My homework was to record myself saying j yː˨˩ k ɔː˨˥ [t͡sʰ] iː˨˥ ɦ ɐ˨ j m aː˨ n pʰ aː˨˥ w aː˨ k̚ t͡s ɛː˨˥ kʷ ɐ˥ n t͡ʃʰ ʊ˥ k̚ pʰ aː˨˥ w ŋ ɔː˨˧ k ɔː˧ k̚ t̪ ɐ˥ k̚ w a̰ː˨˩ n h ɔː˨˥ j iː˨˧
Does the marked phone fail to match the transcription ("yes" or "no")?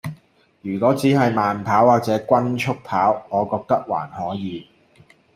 yes